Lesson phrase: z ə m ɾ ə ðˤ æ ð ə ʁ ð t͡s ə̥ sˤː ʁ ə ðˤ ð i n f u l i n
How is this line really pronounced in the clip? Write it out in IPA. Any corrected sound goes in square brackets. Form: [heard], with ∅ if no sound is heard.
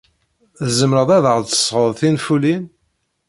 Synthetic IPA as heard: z ə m ɾ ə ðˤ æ ð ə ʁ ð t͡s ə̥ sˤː ʁ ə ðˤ [θ] i n f u l i n